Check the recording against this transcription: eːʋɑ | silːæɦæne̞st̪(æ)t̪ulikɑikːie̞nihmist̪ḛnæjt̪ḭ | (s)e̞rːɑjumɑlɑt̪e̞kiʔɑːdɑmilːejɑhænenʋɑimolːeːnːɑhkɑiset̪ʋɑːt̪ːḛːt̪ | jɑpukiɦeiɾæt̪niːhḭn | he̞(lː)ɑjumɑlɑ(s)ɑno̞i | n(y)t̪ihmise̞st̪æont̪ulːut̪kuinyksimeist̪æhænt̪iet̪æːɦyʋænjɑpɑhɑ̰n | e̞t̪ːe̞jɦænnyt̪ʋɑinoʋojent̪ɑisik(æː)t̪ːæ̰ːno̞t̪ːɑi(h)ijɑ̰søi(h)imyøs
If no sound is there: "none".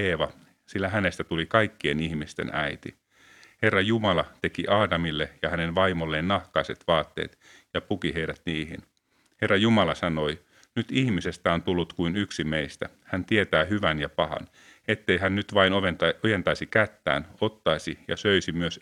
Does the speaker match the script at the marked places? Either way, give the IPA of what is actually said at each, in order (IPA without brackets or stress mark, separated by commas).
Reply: æ, h, rː, s, y, æ, s, s